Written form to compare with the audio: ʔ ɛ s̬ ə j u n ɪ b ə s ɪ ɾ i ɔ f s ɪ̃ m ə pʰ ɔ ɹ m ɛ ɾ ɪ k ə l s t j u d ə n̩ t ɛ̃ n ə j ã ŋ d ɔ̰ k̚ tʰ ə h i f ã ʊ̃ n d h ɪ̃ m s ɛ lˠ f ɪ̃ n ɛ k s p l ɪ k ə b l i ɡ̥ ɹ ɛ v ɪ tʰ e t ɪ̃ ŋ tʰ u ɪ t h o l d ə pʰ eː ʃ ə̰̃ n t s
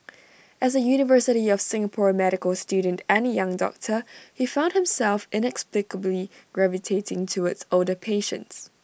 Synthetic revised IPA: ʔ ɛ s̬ ə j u n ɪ v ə s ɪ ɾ i ɔ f s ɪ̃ ŋ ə pʰ ɔ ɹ m ɛ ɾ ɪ k ə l s t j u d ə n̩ t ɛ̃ n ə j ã ŋ d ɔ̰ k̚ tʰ ə h i f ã ʊ̃ n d h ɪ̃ m s ɛ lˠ f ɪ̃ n ɛ k s p l ɪ k ə b l i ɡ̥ ɹ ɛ v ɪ tʰ e t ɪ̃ ŋ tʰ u ɪ t s o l d ə pʰ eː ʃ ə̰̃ n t s